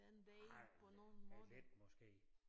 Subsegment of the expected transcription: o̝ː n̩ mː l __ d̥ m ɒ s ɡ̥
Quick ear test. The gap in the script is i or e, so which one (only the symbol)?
e